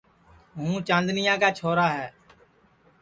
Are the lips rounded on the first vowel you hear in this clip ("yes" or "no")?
yes